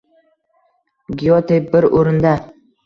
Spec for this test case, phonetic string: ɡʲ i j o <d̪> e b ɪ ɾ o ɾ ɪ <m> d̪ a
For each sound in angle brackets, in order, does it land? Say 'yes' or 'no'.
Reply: no, no

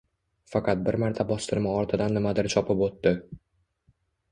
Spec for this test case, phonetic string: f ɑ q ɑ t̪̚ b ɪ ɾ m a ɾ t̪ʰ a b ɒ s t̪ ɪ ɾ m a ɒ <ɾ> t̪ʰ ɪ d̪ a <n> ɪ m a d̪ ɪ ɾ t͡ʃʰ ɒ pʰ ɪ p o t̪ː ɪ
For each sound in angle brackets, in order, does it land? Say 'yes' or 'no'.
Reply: yes, no

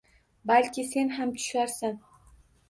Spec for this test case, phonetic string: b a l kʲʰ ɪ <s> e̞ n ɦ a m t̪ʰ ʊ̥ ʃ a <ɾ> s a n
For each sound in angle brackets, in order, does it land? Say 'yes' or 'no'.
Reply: yes, yes

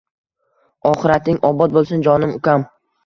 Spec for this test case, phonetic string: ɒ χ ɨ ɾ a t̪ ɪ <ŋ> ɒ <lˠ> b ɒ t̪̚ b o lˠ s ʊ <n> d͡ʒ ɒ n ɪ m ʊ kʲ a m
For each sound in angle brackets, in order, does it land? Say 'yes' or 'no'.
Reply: yes, no, yes

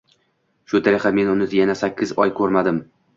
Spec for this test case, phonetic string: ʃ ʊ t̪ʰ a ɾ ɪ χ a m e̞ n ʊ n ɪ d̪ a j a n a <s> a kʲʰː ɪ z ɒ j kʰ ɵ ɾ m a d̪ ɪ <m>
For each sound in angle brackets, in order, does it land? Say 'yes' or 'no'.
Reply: yes, yes

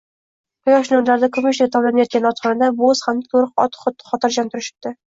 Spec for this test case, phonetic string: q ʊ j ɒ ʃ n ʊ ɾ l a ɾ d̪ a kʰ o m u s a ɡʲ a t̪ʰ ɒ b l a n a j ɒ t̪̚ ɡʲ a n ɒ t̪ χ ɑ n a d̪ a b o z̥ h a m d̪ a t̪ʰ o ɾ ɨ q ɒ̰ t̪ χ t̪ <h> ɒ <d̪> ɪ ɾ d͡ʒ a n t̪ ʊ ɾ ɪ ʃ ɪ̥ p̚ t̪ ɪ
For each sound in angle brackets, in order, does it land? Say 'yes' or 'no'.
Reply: no, no

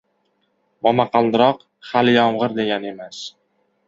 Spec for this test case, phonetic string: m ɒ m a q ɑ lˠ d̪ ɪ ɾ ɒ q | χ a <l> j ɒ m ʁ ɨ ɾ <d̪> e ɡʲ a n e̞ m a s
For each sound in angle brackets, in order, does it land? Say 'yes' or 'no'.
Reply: yes, yes

